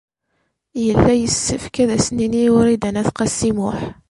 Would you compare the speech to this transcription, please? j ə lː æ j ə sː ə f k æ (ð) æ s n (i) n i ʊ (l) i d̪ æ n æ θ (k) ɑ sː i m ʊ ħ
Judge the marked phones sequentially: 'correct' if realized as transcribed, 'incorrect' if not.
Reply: correct, correct, incorrect: ɾ, incorrect: q

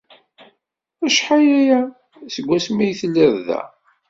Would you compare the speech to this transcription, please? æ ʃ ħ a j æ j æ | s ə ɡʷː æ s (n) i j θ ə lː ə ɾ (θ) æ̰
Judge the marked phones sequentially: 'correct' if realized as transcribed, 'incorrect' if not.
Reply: incorrect: m, incorrect: ð

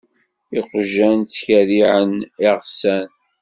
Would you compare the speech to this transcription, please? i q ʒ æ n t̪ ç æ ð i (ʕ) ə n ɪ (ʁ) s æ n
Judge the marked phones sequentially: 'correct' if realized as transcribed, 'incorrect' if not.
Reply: correct, correct

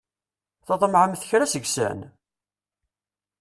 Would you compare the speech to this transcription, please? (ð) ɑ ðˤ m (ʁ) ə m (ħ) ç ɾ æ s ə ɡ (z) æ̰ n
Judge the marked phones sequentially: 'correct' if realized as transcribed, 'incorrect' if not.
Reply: incorrect: θ, incorrect: ʕ, incorrect: θ, incorrect: s

